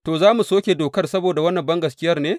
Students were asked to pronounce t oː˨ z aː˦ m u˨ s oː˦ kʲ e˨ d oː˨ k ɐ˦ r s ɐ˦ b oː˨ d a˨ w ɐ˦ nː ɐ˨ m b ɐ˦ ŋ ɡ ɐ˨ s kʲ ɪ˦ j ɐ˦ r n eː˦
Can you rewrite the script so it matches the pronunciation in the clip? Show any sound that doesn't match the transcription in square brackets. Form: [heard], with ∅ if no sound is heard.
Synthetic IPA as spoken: t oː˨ z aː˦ m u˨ s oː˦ kʲ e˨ d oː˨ k ɐ˦ r s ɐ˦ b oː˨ d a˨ w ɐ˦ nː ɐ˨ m b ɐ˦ ŋ ɡ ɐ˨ s kʲ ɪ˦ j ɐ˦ r n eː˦